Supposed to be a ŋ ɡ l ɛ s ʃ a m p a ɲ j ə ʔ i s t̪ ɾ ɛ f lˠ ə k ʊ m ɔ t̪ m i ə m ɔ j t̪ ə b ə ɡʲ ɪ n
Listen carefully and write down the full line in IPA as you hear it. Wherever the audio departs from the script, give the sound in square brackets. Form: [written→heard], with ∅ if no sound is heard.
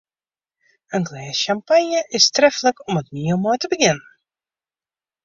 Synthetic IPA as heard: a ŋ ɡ l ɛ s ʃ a m p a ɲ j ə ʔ [i→ɪ] s t̪ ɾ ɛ f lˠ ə k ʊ m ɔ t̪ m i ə m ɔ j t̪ ə b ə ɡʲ ɪ n